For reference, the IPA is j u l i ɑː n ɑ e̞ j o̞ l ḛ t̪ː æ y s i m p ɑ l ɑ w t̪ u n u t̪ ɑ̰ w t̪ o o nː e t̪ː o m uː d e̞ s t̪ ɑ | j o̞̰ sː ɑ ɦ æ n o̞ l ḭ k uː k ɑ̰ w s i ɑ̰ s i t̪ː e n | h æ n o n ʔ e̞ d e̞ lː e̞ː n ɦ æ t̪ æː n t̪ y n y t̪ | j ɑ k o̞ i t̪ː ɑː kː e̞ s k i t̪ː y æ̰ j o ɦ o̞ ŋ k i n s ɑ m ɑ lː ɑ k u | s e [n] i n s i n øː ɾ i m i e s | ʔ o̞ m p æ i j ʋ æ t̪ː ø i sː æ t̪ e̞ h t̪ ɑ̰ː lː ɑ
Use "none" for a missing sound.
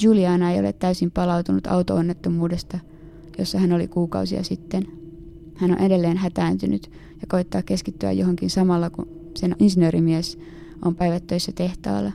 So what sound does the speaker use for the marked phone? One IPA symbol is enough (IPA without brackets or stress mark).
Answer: n